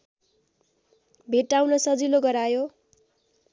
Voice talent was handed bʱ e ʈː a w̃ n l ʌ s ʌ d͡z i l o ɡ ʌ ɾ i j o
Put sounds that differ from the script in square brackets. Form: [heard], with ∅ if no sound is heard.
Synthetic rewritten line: bʱ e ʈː a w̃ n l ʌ s ʌ d͡z i l o ɡ ʌ ɾ [a] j o